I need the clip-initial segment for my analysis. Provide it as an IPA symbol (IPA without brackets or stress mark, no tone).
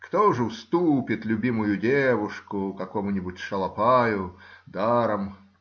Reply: k